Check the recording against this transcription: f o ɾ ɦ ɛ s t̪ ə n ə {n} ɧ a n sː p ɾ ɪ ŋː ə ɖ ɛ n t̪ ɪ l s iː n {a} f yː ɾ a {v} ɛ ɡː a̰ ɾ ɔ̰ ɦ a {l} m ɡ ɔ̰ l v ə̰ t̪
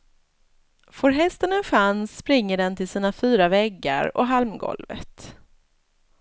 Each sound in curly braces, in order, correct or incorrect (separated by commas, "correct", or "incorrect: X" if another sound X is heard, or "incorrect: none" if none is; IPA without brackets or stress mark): correct, correct, correct, correct